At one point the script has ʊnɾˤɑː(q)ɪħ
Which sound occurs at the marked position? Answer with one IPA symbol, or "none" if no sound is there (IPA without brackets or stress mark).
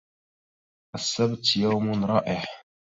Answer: ʔ